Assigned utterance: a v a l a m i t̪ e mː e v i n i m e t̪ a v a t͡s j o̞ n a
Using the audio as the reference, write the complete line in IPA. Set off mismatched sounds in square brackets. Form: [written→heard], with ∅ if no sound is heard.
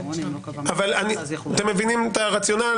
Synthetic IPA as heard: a v a l a [m→n] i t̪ e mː e v i n i m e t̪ a [v→ʁ] a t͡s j o̞ n a